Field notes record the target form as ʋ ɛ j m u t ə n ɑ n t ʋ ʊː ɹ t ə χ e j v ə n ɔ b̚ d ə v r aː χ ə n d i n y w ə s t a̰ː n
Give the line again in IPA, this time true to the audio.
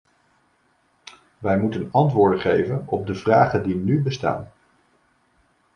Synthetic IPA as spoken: ʋ ɛ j m u t ə n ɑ n t ʋ ʊː ɹ d ə χ e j v ə n ɔ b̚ d ə v r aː χ ə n d i n y b ə s t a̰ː n